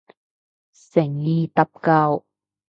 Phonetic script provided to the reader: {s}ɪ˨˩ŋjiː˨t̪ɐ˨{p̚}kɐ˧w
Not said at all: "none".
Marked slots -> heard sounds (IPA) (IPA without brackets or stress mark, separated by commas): s, p̚